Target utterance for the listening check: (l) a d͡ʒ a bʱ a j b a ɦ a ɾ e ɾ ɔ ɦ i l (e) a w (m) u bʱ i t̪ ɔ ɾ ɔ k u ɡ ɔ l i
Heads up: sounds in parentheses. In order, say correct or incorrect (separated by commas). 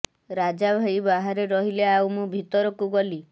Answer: incorrect, correct, correct